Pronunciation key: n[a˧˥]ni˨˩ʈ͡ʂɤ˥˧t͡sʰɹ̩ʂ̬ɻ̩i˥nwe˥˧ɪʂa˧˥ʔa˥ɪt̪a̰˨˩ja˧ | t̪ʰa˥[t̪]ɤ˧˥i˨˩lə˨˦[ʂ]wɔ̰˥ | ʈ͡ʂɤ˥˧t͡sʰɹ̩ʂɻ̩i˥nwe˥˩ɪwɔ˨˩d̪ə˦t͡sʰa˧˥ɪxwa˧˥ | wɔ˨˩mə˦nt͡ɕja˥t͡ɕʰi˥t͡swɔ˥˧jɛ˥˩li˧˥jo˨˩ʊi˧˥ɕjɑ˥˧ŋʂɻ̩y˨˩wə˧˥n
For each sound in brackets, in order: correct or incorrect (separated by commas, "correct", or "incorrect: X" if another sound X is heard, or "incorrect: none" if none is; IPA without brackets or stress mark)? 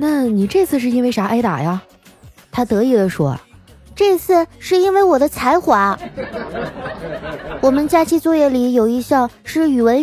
incorrect: a˥˩, correct, correct